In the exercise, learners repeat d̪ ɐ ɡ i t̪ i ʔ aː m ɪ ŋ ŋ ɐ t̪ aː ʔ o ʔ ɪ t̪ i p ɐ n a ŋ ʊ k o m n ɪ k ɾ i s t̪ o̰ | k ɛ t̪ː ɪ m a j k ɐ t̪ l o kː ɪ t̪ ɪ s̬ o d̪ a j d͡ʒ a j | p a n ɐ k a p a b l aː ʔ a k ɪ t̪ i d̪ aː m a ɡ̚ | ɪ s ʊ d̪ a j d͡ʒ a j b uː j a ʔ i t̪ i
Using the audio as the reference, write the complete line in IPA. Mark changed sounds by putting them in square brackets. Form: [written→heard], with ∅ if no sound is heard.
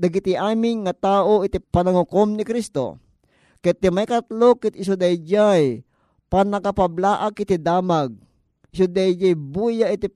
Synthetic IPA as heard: d̪ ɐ ɡ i t̪ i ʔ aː m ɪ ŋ ŋ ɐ t̪ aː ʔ o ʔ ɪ t̪ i p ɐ n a ŋ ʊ k o m n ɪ k ɾ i s t̪ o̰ | k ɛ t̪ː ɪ m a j k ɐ t̪ l o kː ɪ t̪ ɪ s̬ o d̪ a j d͡ʒ a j | p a n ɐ k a p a b l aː ʔ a k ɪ t̪ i d̪ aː m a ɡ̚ | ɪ s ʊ d̪ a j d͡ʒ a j b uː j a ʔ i t̪ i